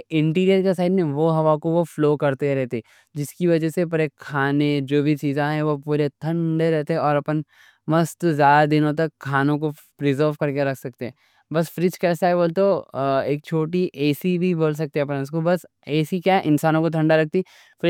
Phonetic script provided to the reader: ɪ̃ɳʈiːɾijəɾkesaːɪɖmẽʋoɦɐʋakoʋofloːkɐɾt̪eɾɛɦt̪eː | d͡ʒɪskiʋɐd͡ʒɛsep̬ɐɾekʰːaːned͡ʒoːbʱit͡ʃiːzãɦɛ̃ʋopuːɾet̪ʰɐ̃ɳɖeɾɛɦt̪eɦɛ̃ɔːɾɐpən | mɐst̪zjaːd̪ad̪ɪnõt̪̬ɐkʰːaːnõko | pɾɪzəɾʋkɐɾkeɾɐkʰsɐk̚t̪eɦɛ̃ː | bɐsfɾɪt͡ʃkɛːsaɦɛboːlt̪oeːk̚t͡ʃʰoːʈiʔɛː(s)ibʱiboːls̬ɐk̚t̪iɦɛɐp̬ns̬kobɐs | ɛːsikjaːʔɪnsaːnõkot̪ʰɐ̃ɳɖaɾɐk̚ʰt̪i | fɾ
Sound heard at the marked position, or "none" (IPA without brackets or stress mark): s